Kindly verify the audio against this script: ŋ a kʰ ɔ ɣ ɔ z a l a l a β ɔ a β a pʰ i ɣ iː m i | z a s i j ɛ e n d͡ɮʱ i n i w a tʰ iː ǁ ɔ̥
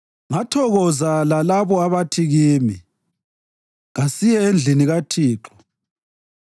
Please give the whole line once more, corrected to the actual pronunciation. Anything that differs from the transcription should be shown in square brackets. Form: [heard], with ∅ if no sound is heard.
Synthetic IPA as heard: ŋ a [tʰ] ɔ ɣ ɔ z a l a l a β ɔ a β a [tʰ] i ɣ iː m i | [ɣ] a s i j ɛ e n d͡ɮʱ i n i [ɣ] a tʰ iː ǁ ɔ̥